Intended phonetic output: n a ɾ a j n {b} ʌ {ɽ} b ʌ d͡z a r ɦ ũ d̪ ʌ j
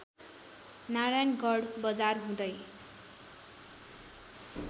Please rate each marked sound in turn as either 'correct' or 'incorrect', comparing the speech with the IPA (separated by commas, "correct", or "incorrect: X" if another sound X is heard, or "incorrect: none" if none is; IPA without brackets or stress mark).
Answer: incorrect: ɡ, correct